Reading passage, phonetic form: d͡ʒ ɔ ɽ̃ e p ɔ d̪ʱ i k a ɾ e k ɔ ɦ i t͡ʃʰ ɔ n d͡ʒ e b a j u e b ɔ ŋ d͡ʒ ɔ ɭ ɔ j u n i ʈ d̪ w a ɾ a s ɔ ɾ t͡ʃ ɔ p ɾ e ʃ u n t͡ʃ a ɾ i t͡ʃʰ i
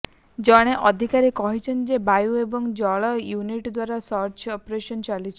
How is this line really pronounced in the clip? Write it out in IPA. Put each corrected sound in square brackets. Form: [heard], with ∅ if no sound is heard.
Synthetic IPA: d͡ʒ ɔ ɽ̃ e [ʔ] ɔ d̪ʱ i k a ɾ e k ɔ ɦ i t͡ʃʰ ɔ n d͡ʒ e b a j u e b ɔ ŋ d͡ʒ ɔ ɭ ɔ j u n i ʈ d̪ w a ɾ a s ɔ ɾ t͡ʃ ɔ p ɾ e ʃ [ɔ] n t͡ʃ a [l] i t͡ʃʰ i

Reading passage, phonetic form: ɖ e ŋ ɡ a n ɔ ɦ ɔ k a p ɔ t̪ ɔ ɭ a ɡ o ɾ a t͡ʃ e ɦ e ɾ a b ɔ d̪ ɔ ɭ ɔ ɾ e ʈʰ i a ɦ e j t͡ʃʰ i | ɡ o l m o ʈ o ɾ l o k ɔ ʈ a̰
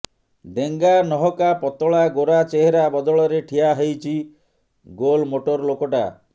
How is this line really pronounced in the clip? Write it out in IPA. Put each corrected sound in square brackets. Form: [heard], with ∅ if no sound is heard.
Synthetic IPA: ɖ e ŋ ɡ a n ɔ ɦ ɔ k a p ɔ t̪ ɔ ɭ a ɡ o ɾ a t͡ʃ e ɦ e ɾ a b ɔ d̪ ɔ ɭ ɔ ɾ e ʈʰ i a ɦ e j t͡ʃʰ i | ɡ o l m o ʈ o ɾ l o k ɔ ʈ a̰

